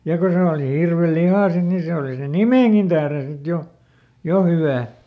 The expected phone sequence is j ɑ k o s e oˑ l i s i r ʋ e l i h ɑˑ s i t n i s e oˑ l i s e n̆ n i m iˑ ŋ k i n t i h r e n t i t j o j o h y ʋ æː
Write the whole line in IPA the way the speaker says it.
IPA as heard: j ɑ k o s e oˑ l i h i r ʋ e l i h ɑˑ s i t n i s e oˑ l i s e n̆ n i m eˑ ŋ k i n t æ h r e n s i t j o j o h y ʋ æː